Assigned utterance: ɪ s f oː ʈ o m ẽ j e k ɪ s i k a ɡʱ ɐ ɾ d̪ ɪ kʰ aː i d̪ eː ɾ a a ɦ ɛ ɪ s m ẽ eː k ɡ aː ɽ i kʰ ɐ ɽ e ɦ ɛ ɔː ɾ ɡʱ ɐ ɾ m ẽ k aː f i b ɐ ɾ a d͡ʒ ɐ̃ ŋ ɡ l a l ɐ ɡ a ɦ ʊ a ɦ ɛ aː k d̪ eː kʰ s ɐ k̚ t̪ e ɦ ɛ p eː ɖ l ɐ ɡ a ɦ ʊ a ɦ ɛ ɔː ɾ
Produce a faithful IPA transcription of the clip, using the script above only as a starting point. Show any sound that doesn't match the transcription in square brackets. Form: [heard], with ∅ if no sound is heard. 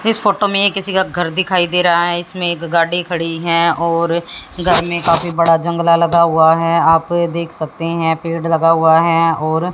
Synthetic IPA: ɪ s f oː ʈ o m ẽ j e k ɪ s i k a ɡʱ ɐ ɾ d̪ ɪ kʰ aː i d̪ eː ɾ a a ɦ ɛ ɪ s m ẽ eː k ɡ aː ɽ i kʰ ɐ ɽ [i] ɦ ɛ ɔː ɾ ɡʱ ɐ ɾ m ẽ k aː f i b ɐ [ɽ] a d͡ʒ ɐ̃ ŋ ɡ l a l ɐ ɡ a ɦ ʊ a ɦ ɛ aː [p] d̪ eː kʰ s ɐ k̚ t̪ e ɦ [ɛ̃] p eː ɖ l ɐ ɡ a ɦ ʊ a ɦ ɛ ɔː ɾ